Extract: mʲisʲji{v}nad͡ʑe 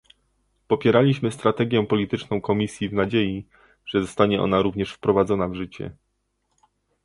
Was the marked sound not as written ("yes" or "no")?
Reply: no